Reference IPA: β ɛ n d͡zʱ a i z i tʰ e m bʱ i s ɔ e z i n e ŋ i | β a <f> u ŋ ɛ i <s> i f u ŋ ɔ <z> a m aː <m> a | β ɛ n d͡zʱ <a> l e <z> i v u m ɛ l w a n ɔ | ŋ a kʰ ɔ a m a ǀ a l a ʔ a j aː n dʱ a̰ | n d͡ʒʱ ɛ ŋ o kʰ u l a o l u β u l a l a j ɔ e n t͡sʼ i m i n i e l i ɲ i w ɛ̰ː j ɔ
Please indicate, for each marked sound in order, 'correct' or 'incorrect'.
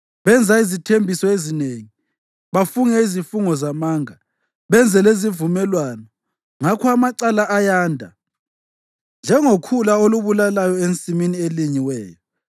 correct, incorrect: z, correct, incorrect: ŋ, incorrect: ɛ, correct

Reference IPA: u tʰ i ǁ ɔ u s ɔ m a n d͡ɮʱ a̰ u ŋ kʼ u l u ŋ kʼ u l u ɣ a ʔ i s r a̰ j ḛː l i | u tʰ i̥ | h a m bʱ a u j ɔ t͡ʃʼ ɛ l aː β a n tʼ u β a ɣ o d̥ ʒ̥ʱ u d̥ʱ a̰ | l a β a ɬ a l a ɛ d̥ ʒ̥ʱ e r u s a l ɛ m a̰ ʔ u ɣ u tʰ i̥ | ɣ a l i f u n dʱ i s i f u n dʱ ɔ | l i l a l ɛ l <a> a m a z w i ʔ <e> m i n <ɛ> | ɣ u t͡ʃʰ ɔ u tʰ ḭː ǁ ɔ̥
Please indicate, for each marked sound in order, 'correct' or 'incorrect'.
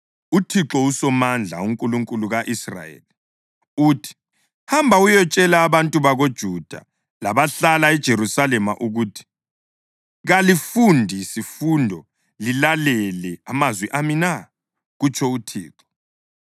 incorrect: ɛ, incorrect: a, incorrect: a

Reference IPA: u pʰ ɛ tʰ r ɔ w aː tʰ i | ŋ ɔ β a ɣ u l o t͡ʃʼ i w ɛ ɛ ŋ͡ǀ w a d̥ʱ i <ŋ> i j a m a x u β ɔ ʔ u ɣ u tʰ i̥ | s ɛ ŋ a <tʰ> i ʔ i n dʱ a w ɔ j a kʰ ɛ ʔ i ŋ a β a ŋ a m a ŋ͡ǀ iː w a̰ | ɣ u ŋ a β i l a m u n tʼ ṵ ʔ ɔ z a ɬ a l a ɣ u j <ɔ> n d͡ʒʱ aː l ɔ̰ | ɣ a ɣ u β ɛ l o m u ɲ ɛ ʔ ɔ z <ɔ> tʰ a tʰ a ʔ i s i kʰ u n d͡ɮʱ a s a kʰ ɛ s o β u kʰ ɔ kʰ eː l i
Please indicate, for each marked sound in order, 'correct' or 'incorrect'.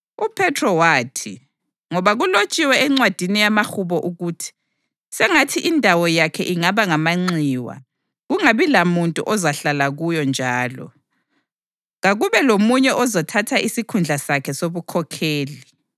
incorrect: n, correct, correct, correct

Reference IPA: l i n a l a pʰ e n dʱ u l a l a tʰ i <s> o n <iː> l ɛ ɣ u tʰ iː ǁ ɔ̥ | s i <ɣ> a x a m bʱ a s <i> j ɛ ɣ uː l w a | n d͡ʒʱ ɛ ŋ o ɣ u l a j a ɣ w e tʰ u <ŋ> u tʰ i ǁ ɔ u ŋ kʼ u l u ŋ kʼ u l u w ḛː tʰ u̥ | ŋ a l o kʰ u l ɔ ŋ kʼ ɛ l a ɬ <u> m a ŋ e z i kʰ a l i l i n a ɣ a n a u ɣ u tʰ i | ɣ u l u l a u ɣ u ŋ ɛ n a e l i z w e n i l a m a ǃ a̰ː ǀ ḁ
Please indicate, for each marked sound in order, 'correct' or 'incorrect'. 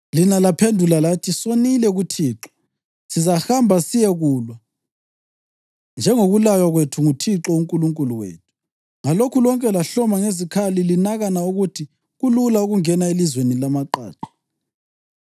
correct, incorrect: i, incorrect: z, correct, correct, incorrect: ɔ

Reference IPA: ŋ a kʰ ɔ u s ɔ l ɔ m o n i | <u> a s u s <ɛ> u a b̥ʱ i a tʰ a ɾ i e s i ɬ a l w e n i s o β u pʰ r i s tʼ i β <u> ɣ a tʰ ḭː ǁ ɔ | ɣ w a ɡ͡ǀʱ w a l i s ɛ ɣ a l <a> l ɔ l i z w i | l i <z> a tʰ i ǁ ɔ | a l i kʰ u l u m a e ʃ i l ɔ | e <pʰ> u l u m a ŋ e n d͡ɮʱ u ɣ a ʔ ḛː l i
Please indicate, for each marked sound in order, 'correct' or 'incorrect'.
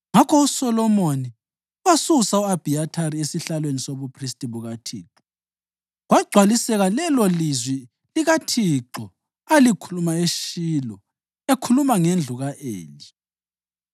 incorrect: w, incorrect: a, correct, incorrect: ɛ, incorrect: ɣ, incorrect: kʰ

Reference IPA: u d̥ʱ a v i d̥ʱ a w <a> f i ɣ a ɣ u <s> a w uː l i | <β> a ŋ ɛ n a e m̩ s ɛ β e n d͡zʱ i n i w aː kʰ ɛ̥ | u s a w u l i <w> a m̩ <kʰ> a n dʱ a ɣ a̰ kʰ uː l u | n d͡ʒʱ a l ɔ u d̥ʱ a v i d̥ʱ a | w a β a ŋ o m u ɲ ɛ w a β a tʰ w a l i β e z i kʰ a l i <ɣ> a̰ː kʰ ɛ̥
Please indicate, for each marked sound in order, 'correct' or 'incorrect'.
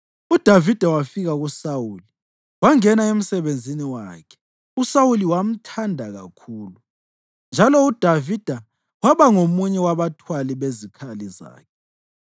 correct, correct, incorrect: w, correct, incorrect: tʰ, incorrect: z

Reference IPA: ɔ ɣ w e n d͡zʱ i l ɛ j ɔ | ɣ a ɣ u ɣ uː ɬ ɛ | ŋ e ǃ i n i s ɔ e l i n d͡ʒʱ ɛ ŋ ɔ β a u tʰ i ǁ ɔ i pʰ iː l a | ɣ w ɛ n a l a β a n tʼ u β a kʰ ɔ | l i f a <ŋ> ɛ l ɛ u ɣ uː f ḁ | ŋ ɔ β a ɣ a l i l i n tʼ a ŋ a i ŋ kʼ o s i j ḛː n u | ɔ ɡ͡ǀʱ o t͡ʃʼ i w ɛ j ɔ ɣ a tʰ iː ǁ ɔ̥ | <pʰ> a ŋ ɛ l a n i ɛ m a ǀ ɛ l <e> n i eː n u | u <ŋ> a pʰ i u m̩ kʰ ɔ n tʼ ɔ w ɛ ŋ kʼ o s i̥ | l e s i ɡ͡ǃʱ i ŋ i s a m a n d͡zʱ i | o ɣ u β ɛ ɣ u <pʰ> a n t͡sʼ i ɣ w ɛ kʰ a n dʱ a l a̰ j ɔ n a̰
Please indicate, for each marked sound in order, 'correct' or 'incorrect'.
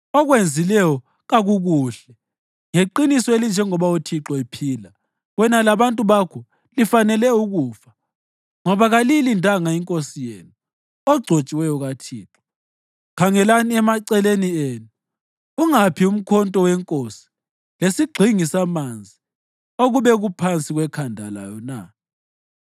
incorrect: n, incorrect: kʰ, correct, correct, correct

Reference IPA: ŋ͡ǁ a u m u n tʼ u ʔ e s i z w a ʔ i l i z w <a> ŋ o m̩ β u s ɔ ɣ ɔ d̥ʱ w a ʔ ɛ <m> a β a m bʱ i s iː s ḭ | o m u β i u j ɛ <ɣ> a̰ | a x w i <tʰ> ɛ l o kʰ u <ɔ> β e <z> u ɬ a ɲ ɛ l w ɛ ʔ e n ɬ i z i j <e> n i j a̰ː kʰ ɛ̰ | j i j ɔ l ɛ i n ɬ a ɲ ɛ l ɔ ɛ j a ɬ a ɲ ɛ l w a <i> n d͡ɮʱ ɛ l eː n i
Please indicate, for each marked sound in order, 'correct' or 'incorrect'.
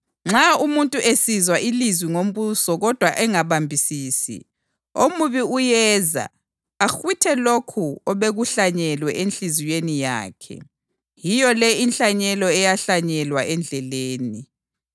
incorrect: i, incorrect: ŋ, incorrect: z, correct, correct, incorrect: ɣ, correct, incorrect: ɛ

